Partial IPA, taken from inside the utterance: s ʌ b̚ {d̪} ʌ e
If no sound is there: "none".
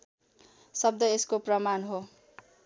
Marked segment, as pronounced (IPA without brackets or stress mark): d̪